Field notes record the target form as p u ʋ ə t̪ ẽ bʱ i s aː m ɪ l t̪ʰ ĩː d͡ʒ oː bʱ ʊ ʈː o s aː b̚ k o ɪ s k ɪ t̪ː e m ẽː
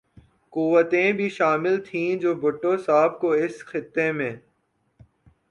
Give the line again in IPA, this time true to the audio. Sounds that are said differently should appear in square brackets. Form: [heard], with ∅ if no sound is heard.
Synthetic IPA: [k] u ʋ ə t̪ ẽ bʱ i [ʃ] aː m ɪ l t̪ʰ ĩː d͡ʒ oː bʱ ʊ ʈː o s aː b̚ k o ɪ s [x] ɪ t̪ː e m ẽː